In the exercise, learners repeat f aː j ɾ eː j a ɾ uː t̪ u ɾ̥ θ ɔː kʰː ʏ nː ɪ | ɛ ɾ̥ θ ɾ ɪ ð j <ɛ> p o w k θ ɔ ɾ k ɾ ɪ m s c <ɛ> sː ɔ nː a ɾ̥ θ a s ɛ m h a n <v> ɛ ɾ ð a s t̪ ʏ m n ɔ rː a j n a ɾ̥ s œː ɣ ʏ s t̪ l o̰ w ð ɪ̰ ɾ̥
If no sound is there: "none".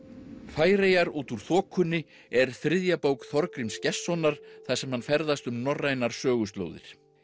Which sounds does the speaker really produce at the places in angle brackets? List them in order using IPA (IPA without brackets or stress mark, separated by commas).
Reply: a, ɛ, f